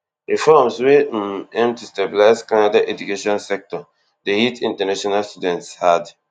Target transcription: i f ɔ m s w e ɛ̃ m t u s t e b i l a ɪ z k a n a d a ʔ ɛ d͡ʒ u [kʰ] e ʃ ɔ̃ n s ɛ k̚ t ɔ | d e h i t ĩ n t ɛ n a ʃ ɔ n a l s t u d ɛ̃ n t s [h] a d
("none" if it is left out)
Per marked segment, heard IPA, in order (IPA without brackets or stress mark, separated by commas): k, h